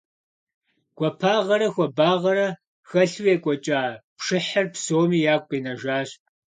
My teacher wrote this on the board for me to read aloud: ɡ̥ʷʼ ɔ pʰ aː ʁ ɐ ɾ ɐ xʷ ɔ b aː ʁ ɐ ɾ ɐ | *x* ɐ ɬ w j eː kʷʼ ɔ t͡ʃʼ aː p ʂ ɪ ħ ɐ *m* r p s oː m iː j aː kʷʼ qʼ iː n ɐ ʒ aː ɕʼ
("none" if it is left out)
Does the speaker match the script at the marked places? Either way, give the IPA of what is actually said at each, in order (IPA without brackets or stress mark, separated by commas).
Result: x, none